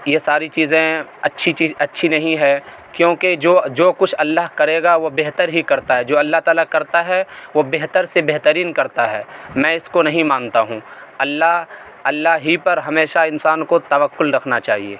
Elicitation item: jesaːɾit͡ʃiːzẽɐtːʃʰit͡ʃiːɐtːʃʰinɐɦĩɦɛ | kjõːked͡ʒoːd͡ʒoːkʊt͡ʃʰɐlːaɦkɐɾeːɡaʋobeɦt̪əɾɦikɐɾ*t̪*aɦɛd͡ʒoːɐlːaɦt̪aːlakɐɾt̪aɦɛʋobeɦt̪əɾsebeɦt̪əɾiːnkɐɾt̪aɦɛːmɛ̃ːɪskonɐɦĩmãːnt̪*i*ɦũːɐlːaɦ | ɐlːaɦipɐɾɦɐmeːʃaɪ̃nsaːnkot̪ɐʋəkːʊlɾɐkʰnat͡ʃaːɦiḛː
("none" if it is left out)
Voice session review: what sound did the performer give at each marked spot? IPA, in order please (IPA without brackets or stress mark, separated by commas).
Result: t̪, a